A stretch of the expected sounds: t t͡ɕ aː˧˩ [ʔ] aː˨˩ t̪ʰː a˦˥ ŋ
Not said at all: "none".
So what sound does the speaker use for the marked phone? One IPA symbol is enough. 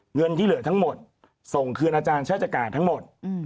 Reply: k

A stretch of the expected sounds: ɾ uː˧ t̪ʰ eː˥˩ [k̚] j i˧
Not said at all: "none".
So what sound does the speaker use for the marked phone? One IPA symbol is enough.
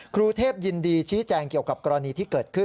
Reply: p̚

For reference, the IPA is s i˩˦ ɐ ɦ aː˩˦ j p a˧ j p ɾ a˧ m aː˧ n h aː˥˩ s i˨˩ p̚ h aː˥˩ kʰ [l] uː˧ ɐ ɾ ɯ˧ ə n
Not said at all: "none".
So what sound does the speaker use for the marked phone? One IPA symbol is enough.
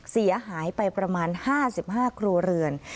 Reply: ɾ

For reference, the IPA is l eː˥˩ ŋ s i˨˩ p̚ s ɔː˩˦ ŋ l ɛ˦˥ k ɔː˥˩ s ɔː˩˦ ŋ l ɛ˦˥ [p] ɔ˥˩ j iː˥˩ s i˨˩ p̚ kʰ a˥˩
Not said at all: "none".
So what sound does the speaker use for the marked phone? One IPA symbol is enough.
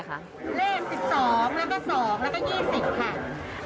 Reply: k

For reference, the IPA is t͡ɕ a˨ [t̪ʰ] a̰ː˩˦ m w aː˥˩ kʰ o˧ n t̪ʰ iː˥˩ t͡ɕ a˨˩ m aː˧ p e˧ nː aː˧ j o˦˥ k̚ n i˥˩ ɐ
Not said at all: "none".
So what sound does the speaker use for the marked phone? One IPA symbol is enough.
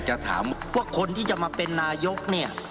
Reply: t̪ʰ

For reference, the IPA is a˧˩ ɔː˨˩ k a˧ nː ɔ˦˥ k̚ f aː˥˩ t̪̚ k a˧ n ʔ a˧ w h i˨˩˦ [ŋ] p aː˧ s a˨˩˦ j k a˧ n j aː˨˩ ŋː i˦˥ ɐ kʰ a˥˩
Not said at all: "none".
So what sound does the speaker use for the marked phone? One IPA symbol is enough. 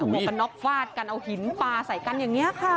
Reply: n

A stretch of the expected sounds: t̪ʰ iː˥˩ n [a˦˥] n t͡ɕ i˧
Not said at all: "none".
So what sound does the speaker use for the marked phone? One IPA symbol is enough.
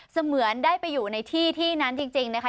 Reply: a˦˥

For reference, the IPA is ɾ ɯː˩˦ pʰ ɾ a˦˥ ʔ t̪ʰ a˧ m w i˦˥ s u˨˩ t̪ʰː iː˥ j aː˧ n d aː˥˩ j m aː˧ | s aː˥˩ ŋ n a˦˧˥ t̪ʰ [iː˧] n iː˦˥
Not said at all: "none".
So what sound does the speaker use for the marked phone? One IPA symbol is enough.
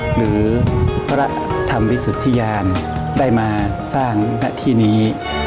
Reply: iː˥˩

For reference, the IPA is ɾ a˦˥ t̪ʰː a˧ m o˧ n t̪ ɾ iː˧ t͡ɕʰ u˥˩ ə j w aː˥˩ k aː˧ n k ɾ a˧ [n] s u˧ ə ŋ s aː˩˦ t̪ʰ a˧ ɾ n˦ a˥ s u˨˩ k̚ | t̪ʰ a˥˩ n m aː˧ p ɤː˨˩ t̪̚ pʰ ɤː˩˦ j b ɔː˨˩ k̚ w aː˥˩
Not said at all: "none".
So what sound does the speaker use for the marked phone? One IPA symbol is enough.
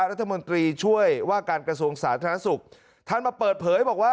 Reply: none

